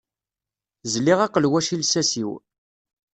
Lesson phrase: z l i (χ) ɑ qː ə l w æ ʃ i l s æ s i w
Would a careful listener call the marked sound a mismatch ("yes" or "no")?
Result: yes